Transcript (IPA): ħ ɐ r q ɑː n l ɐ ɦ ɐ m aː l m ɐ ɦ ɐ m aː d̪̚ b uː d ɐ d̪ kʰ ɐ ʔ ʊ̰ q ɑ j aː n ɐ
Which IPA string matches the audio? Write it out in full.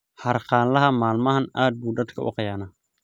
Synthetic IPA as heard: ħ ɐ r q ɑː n l ɐ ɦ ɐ m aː l m ɐ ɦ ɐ n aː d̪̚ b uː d ɐ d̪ kʰ ɐ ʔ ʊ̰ q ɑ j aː n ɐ